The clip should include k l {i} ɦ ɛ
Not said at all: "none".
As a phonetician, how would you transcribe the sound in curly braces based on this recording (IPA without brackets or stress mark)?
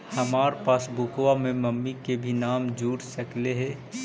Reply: e